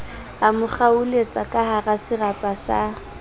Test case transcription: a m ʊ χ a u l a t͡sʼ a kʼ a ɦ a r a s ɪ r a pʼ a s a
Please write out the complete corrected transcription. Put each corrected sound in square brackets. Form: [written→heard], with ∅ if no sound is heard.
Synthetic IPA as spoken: a m ʊ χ a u l [a→e] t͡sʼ a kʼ a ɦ a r a s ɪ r a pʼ a s a